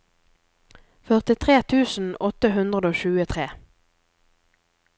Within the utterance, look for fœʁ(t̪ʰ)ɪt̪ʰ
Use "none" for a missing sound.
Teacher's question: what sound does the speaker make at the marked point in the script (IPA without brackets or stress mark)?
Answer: t̪